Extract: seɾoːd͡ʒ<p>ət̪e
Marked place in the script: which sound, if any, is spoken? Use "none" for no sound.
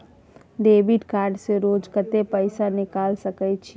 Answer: k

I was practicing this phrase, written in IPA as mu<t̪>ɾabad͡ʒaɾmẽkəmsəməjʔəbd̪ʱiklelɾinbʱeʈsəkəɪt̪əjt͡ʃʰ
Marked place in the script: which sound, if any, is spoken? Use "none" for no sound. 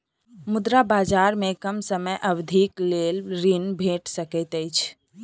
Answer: d̪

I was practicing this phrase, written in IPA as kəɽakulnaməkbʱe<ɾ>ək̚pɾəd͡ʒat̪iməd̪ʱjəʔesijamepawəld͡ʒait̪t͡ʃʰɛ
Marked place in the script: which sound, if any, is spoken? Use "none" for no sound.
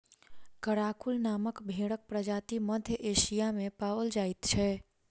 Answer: ɽ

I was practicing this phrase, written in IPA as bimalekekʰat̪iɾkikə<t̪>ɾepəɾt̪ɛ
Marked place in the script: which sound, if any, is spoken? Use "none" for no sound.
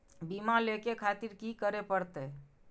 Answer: none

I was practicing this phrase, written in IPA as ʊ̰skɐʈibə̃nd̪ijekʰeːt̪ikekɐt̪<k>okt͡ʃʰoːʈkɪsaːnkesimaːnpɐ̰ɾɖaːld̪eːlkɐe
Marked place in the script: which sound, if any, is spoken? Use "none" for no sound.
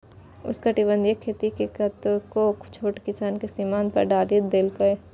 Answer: k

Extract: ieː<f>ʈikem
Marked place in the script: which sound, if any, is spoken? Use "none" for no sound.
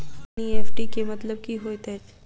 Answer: f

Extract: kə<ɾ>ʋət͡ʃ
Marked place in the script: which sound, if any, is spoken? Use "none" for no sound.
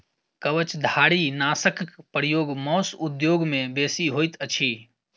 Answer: none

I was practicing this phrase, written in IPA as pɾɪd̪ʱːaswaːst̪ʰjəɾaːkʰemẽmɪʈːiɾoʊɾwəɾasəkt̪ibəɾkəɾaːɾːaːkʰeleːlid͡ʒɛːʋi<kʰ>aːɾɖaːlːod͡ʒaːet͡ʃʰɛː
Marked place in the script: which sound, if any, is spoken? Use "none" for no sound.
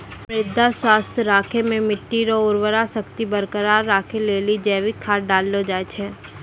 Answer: kʰ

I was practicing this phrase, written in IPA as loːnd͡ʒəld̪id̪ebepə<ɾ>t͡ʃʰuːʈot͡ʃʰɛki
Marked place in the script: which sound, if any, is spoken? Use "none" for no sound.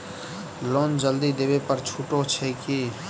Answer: ɾ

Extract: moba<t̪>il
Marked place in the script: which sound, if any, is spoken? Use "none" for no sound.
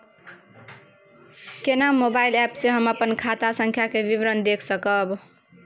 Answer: none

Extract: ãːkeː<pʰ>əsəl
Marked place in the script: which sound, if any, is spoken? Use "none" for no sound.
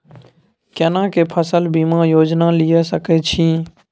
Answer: pʰ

